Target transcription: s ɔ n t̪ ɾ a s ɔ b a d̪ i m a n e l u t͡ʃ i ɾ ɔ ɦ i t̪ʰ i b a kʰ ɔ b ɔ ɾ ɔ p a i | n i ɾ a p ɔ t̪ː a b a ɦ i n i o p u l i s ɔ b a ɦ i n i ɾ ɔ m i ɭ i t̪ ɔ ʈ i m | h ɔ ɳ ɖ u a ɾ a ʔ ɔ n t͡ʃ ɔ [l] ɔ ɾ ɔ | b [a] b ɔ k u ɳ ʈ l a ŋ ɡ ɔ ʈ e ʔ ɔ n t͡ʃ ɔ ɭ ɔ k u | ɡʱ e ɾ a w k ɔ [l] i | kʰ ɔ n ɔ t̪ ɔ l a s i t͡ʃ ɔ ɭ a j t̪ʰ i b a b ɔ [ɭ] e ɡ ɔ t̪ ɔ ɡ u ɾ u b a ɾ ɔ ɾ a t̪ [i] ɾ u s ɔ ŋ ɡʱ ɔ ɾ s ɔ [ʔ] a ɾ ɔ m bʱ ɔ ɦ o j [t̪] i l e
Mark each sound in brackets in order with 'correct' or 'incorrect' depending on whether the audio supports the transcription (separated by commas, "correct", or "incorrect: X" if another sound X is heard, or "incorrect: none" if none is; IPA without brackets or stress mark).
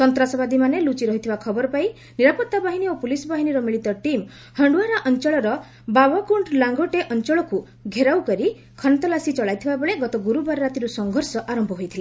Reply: incorrect: ɭ, correct, incorrect: ɾ, correct, correct, correct, incorrect: t̪ʰ